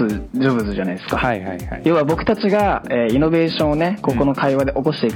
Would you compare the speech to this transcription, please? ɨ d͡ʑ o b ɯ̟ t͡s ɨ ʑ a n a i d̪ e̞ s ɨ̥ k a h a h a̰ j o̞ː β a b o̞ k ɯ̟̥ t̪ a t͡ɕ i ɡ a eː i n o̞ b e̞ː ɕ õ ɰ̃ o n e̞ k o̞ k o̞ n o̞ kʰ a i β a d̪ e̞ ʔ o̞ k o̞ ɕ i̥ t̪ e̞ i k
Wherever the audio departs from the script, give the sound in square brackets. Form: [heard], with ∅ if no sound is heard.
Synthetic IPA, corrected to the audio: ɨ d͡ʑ o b ɯ̟ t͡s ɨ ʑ a n a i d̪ e̞ s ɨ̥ k a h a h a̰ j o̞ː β a b o̞ k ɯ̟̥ t̪ a t͡ɕ i ɡ a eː i n o̞ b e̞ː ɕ õ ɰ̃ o n e̞ k o̞ k o̞ n o̞ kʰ a i β a d̪ e̞ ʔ o̞ k o̞ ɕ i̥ t̪ e̞ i k